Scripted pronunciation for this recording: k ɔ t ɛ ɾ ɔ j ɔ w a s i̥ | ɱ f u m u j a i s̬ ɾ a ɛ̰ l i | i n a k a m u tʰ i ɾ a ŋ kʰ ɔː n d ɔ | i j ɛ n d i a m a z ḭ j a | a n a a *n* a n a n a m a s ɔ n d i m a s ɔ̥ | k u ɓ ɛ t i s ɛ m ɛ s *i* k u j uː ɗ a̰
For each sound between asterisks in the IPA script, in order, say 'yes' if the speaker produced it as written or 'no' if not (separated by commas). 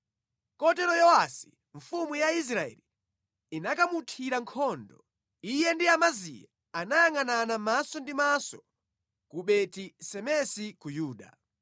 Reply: no, yes